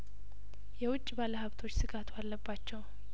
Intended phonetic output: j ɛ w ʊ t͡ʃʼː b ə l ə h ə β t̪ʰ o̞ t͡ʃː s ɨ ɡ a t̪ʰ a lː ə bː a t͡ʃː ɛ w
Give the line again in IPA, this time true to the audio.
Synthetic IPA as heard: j ɛ w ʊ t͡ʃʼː b a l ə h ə β t̪ʰ o̞ t͡ʃː s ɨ ɡ a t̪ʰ a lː ə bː a t͡ʃː ɛ w